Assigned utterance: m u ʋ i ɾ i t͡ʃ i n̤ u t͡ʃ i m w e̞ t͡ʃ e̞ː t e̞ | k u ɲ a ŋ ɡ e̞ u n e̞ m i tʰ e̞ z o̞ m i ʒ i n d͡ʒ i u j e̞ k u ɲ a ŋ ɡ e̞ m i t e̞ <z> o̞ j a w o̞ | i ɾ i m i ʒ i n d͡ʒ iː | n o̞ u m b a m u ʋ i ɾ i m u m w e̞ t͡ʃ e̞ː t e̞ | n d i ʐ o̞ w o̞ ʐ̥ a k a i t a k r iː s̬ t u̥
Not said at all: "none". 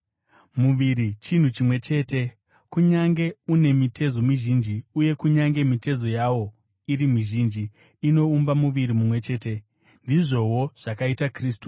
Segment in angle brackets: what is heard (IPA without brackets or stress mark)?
z